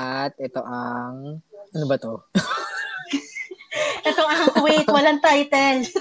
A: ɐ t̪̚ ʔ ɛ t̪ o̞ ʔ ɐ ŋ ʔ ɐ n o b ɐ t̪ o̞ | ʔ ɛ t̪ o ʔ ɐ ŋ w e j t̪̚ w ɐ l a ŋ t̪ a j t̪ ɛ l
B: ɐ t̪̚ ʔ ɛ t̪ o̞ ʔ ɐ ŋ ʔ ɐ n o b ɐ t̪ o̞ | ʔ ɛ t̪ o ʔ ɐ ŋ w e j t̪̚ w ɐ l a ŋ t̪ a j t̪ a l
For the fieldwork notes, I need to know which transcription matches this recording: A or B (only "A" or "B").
A